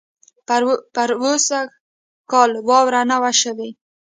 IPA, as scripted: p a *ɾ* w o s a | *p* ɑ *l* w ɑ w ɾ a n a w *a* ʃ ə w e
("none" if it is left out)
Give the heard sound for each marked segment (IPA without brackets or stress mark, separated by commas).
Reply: ɾ, k, l, a